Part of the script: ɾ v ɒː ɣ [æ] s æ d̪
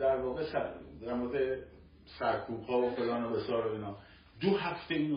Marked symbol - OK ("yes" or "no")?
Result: no